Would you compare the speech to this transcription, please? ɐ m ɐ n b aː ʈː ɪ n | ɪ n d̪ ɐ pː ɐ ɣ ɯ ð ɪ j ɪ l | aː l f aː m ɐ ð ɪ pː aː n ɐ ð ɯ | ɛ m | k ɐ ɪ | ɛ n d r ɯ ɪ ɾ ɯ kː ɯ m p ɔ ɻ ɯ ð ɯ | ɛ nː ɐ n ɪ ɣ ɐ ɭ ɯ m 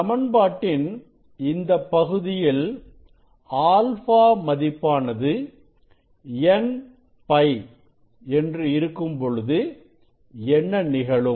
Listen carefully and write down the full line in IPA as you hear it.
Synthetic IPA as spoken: ɐ m ɐ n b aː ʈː ɪ n | ɪ n d̪ ɐ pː ɐ ɣ ɯ ð ɪ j ɪ l | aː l f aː m ɐ ð ɪ pː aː n ɐ ð ɯ | ɛ n | p ɐ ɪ | ɛ n d r ɯ ɪ ɾ ɯ kː ɯ m p ɔ ɻ ɯ ð ɯ | ɛ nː ɐ n ɪ ɣ ɐ ɭ ɯ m

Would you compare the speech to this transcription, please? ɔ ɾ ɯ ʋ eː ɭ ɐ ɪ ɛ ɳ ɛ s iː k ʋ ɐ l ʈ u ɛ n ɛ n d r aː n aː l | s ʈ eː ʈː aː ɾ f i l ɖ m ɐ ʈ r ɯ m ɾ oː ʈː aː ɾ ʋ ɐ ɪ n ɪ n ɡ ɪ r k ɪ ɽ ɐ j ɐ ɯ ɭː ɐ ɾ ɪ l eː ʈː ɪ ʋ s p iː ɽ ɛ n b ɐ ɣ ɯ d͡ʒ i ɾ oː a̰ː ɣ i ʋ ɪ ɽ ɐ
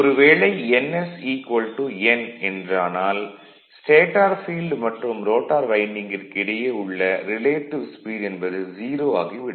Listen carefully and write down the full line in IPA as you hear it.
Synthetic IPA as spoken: ɔ ɾ ɯ ʋ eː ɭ ɐ ɪ ɛ n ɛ s iː k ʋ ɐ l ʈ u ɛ n ɛ n d r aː n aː l | s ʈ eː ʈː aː ɾ f iː l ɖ m ɐ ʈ r ɯ m ɾ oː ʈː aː ɾ ʋ ɐ ɪ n ɪ ŋ ɡ ɪ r k ɪ ɽ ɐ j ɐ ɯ ɭː ɐ ɾ ɪ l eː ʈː ɪ ʋ s p iː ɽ ɛ n b ɐ ð ɯ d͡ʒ iː ɾ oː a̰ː ɣ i ʋ ɪ ɽ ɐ

